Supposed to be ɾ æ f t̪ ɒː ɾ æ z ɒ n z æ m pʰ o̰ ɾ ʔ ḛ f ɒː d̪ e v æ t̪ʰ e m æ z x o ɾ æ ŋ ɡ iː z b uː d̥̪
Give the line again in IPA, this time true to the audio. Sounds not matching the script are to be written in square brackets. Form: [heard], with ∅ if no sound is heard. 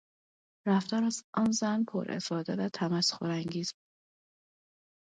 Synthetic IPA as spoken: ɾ æ f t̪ ɒː ɾ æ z ɒ n z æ [n] pʰ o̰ ɾ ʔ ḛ f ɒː d̪ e v æ t̪ʰ [æ] m æ [s] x o ɾ æ ŋ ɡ iː z b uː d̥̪